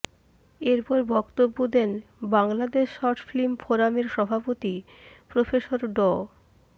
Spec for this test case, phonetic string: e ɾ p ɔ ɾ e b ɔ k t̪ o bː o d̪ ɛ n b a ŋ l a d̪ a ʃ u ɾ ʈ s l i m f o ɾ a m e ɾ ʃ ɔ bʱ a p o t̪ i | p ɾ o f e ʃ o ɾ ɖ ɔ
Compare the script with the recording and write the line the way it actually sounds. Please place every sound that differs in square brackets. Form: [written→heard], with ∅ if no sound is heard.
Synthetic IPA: e ɾ p ɔ ɾ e b ɔ k t̪ o bː o d̪ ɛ n b a ŋ l a d̪ [a→e] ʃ [u→ɔ] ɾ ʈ [s→f] l i m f o ɾ a m e ɾ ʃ ɔ bʱ a p o t̪ i | p ɾ o f e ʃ o ɾ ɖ ɔ